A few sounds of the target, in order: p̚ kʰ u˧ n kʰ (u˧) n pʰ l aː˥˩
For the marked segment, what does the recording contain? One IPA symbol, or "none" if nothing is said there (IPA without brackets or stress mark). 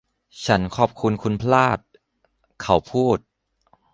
u˧